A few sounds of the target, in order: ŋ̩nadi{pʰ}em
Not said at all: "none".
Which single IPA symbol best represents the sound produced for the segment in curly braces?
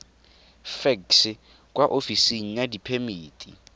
pʰ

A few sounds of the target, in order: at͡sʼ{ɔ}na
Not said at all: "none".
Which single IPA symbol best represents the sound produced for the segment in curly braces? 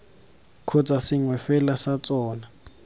ɔː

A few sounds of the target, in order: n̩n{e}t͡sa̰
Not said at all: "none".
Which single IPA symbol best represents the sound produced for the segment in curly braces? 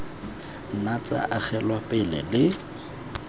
a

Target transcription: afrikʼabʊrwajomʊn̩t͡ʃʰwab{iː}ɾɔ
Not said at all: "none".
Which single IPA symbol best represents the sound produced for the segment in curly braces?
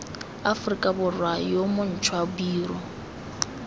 iː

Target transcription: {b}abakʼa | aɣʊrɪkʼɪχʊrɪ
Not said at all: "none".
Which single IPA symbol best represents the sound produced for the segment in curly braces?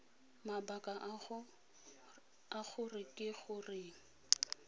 m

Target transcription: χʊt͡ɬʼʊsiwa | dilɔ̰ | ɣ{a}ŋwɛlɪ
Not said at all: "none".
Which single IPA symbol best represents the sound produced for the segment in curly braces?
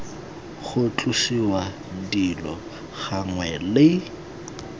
a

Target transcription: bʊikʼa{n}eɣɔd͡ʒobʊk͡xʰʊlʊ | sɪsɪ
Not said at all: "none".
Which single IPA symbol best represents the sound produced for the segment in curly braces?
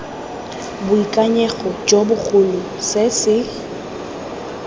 ɲ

